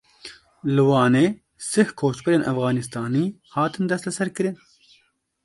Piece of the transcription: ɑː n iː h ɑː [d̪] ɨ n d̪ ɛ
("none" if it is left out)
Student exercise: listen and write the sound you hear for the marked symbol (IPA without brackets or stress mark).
t̪